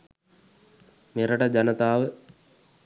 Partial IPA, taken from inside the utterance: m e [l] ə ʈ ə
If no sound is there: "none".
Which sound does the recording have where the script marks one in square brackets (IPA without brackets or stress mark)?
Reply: ɾ